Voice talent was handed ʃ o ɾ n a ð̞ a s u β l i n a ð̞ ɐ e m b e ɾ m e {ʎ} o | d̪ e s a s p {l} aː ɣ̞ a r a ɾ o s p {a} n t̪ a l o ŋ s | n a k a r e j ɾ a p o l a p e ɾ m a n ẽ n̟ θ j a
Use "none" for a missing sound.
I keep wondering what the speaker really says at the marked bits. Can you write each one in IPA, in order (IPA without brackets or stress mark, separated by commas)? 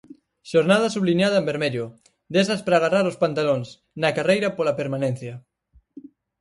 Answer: ʎ, ɾ, a